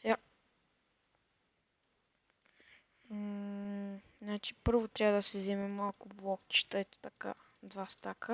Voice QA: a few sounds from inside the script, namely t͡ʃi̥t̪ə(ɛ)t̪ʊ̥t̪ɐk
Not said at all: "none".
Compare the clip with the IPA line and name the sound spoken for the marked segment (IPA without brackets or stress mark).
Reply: ɛ